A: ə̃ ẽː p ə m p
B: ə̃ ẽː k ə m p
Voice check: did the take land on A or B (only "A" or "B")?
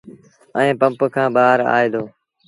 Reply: A